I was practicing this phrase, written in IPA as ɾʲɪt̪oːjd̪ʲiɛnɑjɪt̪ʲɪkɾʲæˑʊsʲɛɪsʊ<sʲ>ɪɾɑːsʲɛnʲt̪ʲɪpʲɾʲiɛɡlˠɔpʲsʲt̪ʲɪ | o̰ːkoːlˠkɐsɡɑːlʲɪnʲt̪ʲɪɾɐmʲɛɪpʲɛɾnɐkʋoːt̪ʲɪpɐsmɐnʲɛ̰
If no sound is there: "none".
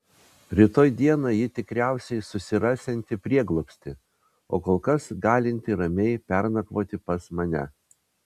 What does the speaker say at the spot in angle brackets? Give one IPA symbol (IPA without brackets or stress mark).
sʲ